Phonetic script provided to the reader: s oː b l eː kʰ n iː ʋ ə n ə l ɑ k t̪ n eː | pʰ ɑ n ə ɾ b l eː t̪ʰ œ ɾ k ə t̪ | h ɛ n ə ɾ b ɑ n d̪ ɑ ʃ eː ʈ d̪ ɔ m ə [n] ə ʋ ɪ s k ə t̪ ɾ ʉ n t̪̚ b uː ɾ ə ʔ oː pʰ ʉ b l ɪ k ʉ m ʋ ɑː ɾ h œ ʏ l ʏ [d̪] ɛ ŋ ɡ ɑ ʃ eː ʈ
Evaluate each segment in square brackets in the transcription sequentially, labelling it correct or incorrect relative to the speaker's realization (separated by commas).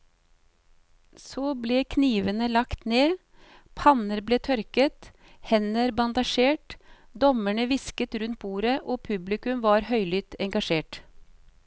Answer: incorrect, incorrect